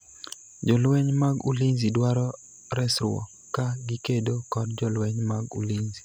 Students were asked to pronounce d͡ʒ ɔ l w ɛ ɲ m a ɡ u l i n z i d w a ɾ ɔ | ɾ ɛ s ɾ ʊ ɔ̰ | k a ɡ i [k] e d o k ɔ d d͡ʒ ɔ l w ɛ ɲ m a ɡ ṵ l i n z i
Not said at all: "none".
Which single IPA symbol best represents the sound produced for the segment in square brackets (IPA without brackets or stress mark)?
k